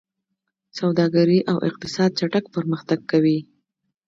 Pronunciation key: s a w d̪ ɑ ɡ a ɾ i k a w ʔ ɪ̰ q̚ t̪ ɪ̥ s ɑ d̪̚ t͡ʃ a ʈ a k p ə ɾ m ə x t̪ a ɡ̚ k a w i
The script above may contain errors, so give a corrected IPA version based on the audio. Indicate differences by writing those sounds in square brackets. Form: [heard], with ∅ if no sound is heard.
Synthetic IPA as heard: s a w d̪ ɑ ɡ a ɾ i [ʔ] a w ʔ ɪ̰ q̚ t̪ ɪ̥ s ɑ d̪̚ t͡ʃ a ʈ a k p ə ɾ m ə x t̪ a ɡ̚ k a w i